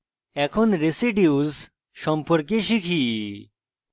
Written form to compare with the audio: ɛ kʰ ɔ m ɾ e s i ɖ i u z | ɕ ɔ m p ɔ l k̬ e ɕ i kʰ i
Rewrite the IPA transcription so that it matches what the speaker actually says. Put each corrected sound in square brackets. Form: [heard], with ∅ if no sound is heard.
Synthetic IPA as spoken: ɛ kʰ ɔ [n] ɾ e s i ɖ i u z | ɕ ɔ m p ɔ [ɾ] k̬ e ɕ i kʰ i